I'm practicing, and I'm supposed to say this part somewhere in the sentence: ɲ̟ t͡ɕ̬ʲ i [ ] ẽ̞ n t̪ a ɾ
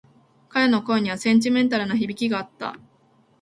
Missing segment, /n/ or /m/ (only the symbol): m